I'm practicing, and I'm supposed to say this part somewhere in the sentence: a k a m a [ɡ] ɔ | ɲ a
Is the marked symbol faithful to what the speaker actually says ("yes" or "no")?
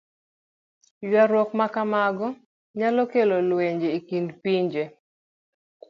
yes